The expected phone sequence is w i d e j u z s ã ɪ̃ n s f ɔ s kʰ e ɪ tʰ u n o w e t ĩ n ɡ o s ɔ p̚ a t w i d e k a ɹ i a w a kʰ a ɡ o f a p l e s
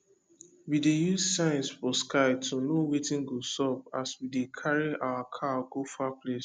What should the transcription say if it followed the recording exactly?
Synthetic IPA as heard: w i d e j u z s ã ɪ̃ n s f ɔ s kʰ a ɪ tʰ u n o w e t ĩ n ɡ o s ɔ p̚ a s w i d e kʰ a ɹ i a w a kʰ a ɡ o f a p l e s